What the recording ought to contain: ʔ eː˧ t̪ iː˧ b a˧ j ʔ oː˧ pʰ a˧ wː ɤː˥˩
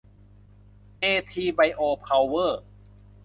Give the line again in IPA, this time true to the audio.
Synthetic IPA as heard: ʔ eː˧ t̪ʰ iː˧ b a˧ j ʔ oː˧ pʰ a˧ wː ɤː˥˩